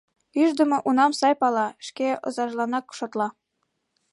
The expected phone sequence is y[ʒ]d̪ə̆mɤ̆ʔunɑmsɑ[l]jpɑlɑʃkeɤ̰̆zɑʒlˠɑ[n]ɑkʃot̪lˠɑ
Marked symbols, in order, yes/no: yes, no, yes

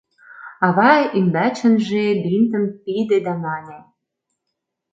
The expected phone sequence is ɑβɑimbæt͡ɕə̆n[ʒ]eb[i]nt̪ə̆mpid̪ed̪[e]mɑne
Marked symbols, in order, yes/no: yes, yes, no

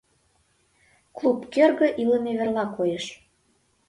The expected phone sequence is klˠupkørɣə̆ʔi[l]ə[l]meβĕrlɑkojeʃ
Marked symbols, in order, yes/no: yes, no

